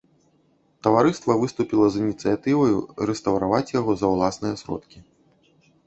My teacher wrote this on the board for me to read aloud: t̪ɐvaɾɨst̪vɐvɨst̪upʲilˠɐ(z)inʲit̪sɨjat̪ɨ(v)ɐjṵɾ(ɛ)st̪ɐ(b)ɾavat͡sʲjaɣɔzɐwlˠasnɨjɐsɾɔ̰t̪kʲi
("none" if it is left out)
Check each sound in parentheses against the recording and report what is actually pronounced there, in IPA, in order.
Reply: z, v, ɛ, w

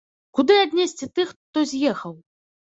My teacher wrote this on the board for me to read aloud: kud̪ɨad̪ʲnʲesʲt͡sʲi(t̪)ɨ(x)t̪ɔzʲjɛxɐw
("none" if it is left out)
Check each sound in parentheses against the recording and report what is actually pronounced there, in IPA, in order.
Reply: t̪, x

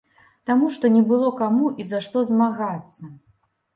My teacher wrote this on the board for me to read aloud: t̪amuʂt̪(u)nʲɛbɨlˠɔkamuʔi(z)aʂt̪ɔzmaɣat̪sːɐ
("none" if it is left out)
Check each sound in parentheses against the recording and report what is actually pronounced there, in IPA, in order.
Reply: ɔ, z

